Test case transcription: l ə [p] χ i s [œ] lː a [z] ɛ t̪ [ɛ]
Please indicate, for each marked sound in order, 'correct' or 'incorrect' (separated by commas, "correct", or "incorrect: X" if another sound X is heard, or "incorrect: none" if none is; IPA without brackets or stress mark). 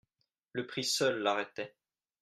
correct, correct, incorrect: ʁ, correct